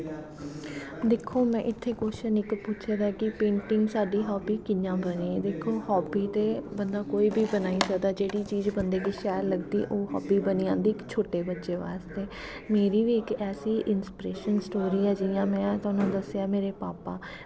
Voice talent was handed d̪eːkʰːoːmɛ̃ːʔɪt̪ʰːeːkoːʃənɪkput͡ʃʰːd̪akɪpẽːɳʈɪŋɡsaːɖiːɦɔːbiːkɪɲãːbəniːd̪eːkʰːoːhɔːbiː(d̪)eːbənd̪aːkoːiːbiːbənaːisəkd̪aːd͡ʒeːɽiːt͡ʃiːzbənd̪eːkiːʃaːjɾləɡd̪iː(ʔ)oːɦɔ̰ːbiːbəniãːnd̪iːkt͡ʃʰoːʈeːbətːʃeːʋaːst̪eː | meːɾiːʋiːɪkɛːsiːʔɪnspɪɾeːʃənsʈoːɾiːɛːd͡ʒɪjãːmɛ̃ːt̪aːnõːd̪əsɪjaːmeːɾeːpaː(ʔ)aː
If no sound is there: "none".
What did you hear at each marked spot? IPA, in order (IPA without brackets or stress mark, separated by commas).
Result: t̪, ʔ, p